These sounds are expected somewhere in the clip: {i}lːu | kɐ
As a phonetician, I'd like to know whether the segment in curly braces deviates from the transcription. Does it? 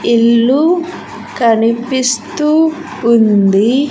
no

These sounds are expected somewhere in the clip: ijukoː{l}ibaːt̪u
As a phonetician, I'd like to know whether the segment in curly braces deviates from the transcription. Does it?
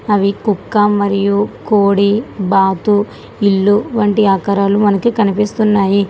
yes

